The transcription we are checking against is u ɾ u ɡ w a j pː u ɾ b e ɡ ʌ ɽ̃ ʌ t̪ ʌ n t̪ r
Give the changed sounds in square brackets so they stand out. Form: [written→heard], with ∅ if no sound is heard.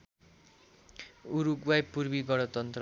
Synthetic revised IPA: u ɾ u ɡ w a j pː u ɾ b [e→i] ɡ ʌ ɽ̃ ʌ t̪ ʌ n t̪ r